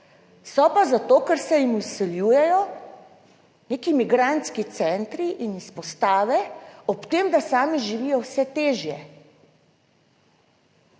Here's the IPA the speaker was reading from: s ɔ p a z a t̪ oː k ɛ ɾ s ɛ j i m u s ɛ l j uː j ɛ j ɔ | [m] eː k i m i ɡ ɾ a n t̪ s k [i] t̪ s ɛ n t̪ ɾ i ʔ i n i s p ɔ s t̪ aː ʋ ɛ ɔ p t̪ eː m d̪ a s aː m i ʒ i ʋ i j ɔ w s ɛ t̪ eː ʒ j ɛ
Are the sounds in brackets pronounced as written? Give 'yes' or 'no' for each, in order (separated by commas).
no, yes